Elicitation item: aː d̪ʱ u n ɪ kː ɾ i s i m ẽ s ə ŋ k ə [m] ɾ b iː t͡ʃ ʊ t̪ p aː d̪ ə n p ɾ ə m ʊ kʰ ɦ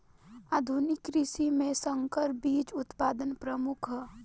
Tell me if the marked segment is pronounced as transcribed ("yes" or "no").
no